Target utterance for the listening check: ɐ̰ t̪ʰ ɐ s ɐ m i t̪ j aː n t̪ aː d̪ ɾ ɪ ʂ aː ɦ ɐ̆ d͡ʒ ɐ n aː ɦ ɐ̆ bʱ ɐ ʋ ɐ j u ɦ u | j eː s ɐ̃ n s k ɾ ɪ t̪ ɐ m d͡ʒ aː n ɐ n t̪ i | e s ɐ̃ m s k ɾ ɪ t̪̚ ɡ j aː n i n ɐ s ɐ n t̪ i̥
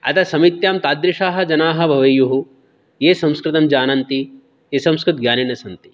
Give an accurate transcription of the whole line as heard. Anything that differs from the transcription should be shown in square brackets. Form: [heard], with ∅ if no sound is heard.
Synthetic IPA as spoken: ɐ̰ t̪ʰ ɐ s ɐ m i t̪ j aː [m] t̪ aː d̪ ɾ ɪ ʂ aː ɦ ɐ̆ d͡ʒ ɐ n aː ɦ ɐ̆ bʱ ɐ ʋ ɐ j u ɦ u | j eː s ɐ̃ [m] s k ɾ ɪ t̪ ɐ m d͡ʒ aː n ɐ n t̪ i | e s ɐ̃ m s k ɾ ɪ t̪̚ ɡ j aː n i n ɐ s ɐ n t̪ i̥

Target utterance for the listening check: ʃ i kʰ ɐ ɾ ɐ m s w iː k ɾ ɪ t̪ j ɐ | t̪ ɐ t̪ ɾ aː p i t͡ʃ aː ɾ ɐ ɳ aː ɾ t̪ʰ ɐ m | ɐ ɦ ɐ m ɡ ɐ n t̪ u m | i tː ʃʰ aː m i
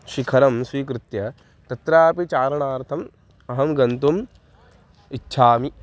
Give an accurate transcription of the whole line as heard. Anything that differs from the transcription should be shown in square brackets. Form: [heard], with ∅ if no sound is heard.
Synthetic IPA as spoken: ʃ i kʰ ɐ ɾ ɐ m s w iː k ɾ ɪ t̪ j ɐ | t̪ ɐ t̪ ɾ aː p i t͡ʃ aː ɾ ɐ ɳ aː ɾ t̪ʰ ɐ m | ɐ ɦ ɐ m ɡ ɐ n t̪ u m | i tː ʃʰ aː m i

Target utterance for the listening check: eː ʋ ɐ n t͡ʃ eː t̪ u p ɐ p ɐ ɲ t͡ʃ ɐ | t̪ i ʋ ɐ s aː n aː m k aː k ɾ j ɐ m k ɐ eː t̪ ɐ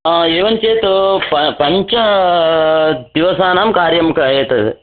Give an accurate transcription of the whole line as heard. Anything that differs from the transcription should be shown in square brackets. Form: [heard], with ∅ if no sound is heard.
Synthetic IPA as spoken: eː ʋ ɐ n t͡ʃ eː t̪ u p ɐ p ɐ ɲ t͡ʃ ɐ | [d̪] i ʋ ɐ s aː n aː m k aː [∅] ɾ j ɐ m k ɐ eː t̪ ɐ

